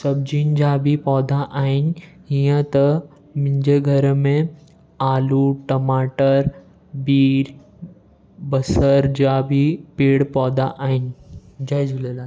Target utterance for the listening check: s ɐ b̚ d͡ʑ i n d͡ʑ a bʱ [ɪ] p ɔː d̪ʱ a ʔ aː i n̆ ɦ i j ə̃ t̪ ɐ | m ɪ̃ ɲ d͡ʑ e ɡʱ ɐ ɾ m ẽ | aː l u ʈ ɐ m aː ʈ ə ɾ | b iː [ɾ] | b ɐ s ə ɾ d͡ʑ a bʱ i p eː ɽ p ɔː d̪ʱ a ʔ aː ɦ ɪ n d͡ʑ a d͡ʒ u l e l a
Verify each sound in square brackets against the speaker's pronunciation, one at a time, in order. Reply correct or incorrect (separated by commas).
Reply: incorrect, correct